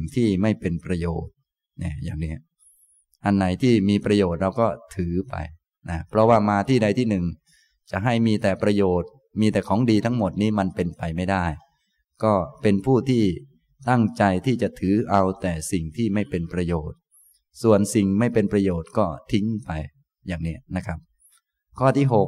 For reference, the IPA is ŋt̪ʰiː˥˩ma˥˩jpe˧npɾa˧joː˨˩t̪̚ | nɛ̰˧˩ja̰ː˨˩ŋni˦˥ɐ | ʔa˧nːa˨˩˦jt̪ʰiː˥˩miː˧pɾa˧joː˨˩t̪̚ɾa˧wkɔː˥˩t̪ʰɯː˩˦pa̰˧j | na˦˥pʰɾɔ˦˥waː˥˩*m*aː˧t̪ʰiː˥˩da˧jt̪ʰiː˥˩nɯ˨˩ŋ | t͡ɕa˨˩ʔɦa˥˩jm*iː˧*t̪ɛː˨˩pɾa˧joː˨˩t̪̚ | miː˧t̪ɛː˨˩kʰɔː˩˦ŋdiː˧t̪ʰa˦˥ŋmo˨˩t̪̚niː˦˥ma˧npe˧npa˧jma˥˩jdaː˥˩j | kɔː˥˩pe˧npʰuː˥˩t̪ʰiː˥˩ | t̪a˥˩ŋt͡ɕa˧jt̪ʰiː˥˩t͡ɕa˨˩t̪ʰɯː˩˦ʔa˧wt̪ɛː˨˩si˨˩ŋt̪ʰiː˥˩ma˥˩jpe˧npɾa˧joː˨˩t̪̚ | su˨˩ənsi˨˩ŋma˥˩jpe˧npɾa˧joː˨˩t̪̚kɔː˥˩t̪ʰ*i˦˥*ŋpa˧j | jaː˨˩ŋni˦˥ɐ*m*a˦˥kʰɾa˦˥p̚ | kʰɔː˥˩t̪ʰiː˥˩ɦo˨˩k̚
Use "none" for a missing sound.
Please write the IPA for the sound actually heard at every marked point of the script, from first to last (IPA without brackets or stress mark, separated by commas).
m, iː˧, i˦˥, n